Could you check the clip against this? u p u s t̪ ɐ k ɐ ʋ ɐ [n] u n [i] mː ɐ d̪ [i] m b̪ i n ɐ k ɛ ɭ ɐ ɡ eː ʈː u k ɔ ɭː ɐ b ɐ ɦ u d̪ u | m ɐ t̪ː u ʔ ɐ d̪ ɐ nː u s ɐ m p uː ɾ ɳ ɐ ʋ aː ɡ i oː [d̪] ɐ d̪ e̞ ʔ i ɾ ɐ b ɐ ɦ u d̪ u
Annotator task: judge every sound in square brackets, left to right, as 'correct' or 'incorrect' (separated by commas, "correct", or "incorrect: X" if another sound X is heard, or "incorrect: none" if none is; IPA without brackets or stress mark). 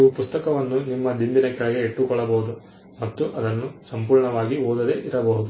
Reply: incorrect: nː, correct, correct, correct